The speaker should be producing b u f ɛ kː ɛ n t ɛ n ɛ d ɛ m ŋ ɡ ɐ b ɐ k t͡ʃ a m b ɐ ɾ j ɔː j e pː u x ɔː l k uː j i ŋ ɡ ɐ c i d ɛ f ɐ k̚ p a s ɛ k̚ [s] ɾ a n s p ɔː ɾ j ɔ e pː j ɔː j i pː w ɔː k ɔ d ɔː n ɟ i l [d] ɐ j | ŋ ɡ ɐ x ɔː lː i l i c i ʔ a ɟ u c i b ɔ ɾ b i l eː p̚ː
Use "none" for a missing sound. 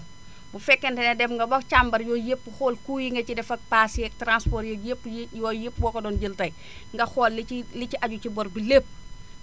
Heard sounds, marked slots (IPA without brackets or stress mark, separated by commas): t, t